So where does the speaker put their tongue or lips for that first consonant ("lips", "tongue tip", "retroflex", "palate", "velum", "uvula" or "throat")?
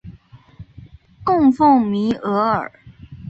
velum